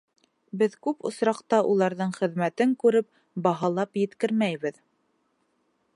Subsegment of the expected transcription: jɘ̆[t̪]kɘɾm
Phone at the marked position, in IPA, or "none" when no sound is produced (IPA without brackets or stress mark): t̪